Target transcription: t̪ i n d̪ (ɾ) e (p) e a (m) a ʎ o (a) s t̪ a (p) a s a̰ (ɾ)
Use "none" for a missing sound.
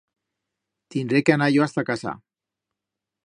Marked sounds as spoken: ɾ, k, n, a, k, none

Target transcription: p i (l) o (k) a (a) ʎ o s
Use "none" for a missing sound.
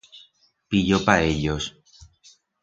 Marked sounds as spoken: ʎ, p, e

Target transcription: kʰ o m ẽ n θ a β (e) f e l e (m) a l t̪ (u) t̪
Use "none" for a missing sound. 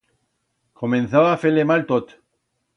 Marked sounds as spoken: a, m, o

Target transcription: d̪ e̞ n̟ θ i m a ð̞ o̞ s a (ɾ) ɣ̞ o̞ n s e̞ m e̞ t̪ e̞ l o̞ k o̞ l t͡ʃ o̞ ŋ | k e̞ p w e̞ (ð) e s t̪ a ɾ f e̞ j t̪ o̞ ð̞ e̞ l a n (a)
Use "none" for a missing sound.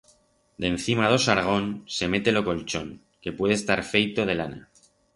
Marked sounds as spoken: ɾ, ð, a

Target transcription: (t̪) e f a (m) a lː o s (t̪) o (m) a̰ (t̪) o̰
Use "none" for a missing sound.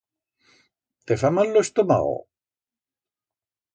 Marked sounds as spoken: t̪, m, t̪, m, none

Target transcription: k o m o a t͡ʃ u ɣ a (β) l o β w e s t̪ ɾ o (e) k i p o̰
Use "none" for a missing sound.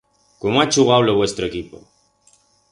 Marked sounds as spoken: w, e

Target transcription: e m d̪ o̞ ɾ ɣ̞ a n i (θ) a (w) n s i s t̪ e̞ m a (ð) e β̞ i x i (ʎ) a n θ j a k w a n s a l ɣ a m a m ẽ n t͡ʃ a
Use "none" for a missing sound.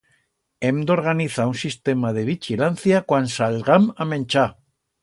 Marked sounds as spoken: θ, u, ð, l

